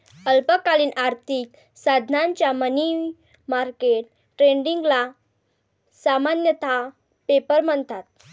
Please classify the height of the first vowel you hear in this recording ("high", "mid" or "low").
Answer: mid